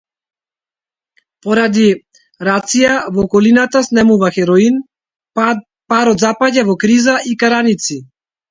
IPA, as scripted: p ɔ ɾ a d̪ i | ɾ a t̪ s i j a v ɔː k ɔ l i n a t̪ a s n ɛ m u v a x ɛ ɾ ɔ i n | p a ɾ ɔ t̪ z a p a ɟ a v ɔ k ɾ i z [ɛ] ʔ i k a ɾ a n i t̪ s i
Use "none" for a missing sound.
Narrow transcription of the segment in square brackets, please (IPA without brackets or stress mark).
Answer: a